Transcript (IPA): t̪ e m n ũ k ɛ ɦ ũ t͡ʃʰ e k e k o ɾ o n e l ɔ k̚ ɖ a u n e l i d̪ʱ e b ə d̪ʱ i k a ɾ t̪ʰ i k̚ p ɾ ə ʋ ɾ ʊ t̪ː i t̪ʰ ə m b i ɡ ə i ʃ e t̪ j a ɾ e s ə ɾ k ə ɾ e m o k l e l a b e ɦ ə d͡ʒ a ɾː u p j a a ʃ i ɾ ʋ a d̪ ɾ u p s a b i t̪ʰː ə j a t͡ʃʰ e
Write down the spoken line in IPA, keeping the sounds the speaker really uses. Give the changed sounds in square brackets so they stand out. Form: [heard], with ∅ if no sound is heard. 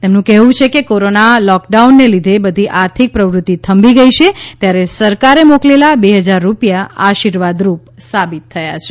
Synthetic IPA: t̪ e m n ũ k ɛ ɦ ũ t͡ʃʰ e k e k o ɾ o n [a] l ɔ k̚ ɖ a u [nː] e l i d̪ʱ e b ə d̪ʱ i [ʔ] a ɾ t̪ʰ i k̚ p ɾ ə ʋ ɾ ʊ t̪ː i t̪ʰ ə m b i ɡ ə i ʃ e t̪ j a ɾ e s ə ɾ k [a] ɾ e m o k l e l a b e ɦ ə d͡ʒ a ɾː u p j a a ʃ i ɾ ʋ a d̪ ɾ u p s a b i t̪ʰː ə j a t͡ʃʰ e

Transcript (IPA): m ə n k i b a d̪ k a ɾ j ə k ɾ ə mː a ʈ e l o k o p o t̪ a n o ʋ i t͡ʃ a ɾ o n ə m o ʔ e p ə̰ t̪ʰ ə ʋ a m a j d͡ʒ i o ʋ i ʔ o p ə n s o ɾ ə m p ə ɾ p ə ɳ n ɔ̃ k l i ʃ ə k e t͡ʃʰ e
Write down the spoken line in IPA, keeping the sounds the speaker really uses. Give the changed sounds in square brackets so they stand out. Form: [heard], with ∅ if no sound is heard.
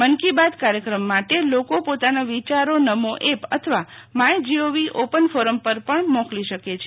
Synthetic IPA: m ə n k i b a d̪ k a ɾ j ə k ɾ ə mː a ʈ e l o k o p o t̪ a n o ʋ i t͡ʃ a ɾ o n ə m o ʔ e p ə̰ t̪ʰ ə ʋ a m a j d͡ʒ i o ʋ i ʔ o p ə n [f] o ɾ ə m p ə ɾ p ə ɳ [m] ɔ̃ k l i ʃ ə k e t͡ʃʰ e

